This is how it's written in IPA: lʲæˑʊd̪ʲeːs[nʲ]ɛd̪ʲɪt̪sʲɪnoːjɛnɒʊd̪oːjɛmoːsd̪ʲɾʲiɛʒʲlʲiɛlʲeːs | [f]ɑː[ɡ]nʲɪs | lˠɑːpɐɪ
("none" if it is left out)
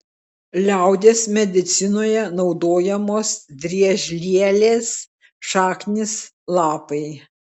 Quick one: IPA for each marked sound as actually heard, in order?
mʲ, ʃ, k

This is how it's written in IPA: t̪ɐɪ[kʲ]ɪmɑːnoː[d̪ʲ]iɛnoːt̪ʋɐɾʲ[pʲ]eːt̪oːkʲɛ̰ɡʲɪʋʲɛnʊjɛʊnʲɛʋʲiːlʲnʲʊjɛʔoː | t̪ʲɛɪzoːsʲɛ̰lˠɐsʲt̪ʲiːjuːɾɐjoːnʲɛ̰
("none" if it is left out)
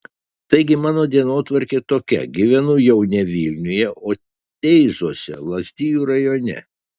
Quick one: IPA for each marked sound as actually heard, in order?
ɡʲ, d̪ʲ, kʲ

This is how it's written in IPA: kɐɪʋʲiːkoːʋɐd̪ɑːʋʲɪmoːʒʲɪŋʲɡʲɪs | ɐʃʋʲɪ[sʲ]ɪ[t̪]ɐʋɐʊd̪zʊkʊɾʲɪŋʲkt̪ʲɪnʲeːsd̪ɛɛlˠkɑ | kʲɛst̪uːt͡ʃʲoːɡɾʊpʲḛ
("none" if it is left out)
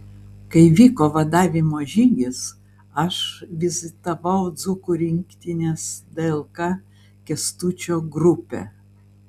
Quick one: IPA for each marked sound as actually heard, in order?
zʲ, t̪

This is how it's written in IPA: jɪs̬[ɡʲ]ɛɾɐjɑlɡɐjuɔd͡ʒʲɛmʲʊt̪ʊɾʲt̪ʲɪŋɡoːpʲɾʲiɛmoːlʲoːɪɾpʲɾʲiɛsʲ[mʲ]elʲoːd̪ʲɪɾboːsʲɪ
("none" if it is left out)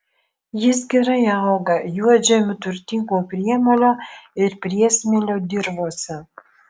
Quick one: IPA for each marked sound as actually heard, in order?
ɡʲ, mʲ

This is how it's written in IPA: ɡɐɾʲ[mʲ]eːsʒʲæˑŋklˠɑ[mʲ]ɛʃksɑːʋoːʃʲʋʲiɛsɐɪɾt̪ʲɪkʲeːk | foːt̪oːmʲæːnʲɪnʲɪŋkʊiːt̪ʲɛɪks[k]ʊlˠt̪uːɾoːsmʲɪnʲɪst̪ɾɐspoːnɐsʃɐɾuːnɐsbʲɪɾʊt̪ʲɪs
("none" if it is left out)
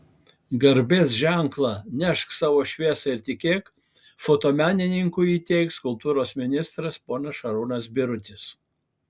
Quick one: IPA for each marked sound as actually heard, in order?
bʲ, nʲ, k

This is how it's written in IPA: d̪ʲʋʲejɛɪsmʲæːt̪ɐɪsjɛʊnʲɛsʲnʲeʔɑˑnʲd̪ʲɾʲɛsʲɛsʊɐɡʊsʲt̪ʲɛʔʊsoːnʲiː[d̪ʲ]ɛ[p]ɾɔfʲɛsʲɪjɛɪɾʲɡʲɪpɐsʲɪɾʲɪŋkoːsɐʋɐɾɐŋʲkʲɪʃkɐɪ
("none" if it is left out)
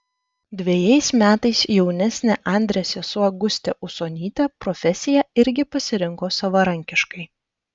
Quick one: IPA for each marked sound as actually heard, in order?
t̪ʲ, p

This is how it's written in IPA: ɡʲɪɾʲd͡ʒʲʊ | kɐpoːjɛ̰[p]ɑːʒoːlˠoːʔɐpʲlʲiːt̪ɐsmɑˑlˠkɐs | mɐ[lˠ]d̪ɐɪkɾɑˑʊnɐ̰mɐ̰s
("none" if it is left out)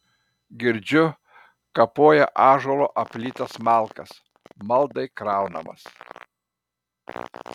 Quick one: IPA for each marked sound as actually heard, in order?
ʔ, lˠ

